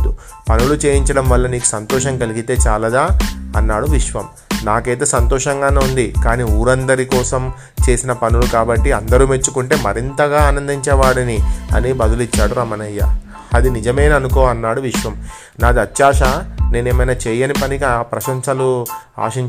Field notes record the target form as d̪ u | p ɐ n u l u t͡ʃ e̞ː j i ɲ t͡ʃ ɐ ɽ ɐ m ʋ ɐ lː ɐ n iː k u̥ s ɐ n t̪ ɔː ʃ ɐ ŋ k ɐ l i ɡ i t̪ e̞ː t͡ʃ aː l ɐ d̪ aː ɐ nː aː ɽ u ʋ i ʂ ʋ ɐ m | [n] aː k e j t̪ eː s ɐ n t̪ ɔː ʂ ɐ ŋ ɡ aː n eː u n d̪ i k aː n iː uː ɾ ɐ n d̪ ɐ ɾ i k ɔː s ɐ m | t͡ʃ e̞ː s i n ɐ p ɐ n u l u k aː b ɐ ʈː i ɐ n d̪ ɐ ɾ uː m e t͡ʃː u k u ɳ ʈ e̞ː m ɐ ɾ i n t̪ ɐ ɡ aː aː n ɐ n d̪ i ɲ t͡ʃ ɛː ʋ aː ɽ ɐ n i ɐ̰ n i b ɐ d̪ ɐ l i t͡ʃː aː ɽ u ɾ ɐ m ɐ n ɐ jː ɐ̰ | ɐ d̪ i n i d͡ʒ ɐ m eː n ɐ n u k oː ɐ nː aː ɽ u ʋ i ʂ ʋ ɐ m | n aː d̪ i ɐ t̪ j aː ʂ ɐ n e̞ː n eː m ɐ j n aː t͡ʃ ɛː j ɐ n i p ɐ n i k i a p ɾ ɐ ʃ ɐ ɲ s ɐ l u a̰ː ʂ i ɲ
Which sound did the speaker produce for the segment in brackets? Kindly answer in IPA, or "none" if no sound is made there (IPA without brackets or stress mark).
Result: n